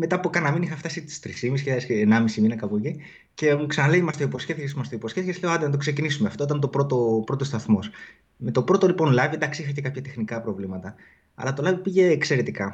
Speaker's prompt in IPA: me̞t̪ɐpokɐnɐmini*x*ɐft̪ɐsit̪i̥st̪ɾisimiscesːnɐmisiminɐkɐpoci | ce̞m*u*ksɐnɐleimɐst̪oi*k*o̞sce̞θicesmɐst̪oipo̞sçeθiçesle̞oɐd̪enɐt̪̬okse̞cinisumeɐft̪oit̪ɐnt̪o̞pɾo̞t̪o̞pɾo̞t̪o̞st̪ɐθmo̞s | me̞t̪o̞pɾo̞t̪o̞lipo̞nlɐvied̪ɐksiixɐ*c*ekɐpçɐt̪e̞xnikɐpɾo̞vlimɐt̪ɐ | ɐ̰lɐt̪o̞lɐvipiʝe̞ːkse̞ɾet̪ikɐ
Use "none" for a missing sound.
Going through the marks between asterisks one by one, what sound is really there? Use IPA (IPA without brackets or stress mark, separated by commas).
x, u, p, c